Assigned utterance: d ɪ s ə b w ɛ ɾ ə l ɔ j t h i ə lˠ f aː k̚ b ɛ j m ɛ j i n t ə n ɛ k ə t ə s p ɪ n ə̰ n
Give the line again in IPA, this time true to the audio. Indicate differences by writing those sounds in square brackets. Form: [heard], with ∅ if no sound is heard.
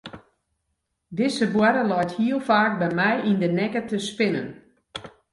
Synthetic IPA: d ɪ s ə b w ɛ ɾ ə l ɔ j t h i ə lˠ f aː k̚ b ɛ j m ɛ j i n [d] ə n ɛ k ə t ə s p ɪ n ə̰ n